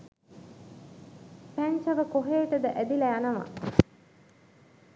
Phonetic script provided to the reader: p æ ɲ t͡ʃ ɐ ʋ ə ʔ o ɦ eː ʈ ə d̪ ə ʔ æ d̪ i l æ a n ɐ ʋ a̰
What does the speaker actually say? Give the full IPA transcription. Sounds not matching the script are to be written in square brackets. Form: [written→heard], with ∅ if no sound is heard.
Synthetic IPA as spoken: p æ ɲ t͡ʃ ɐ ʋ ə [ʔ→k] o ɦ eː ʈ ə d̪ ə ʔ æ d̪ i l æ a n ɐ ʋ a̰